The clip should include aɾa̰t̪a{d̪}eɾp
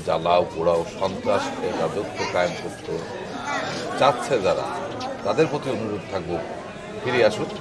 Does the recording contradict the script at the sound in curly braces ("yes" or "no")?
no